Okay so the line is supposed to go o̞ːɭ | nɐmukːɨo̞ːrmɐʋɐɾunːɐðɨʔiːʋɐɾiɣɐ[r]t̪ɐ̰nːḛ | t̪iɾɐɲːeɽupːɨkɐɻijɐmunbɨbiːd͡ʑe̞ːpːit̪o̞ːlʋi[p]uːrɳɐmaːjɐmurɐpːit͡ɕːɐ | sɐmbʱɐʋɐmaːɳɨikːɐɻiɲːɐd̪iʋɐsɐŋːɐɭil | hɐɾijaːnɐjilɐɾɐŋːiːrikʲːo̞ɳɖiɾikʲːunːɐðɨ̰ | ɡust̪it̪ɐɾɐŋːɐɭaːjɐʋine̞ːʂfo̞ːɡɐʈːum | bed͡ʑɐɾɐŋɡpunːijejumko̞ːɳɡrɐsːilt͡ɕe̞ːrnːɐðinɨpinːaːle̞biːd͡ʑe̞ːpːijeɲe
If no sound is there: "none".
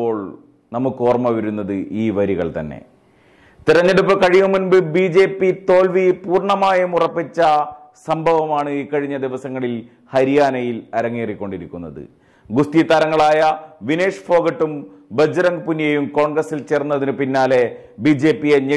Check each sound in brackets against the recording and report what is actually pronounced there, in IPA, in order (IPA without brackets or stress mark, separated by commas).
ɭ, p